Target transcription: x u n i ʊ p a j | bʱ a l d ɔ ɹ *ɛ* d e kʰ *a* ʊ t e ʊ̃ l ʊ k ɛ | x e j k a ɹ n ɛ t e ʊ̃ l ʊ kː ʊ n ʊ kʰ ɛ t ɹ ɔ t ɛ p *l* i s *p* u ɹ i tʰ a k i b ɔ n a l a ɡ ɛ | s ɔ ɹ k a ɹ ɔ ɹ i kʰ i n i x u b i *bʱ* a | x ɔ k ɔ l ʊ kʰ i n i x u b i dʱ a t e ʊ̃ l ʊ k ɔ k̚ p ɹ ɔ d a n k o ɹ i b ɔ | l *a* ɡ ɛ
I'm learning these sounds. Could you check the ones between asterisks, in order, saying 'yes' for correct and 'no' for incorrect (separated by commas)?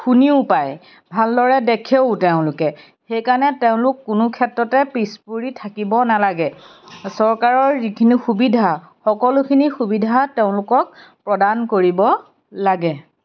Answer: yes, no, no, yes, no, yes